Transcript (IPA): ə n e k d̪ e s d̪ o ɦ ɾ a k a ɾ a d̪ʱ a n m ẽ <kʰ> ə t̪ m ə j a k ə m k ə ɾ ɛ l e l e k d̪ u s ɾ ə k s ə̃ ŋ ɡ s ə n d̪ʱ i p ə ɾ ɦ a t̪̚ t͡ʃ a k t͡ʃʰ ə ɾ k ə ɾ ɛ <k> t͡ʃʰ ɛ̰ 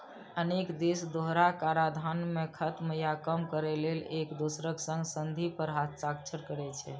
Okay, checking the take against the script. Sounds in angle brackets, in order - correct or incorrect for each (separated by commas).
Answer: correct, incorrect